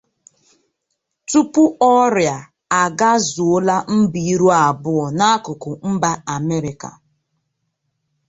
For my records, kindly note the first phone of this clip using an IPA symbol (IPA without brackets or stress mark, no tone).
t